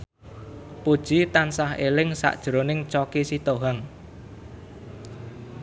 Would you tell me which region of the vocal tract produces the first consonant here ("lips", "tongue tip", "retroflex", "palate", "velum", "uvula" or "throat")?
lips